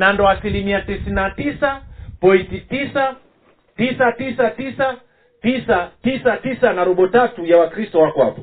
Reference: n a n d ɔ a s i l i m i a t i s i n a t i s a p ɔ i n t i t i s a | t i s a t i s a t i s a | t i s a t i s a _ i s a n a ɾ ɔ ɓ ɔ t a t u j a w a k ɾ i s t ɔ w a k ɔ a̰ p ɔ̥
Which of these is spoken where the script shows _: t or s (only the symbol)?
t